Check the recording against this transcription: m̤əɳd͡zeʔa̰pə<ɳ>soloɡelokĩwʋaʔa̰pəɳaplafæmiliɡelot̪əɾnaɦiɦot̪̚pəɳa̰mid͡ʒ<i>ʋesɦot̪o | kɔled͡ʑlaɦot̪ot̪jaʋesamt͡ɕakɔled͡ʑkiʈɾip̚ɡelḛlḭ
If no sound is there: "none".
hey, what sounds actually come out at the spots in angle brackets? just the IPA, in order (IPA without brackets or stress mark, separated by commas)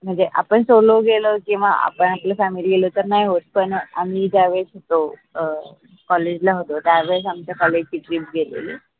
ɳ, a